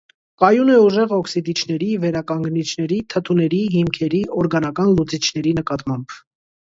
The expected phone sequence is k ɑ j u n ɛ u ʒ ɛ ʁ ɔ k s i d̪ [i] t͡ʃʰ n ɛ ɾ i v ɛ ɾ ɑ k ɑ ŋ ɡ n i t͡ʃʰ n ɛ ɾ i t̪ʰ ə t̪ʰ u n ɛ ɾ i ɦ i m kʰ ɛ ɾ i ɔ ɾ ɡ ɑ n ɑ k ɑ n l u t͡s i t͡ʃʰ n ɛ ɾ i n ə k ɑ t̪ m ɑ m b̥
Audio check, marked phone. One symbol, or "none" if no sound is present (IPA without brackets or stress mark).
i